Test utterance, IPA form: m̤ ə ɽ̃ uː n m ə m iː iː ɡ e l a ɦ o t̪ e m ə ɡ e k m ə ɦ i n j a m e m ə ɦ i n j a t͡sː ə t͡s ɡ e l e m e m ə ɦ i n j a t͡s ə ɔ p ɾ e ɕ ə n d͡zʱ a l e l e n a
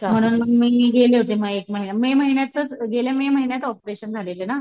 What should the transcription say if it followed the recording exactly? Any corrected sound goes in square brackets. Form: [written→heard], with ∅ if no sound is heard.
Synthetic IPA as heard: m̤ ə ɽ̃ uː n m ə m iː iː ɡ e l [a→e] ɦ o t̪ e m ə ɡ e k m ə ɦ i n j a m e m ə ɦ i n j a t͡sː ə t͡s ɡ e l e m e m ə ɦ i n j a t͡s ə ɔ p ɾ e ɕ ə n d͡zʱ a l e l e n a